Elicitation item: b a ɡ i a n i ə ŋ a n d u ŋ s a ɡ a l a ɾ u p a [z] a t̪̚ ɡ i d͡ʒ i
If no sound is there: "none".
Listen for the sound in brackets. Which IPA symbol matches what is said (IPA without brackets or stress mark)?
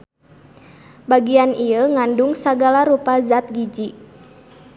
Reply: z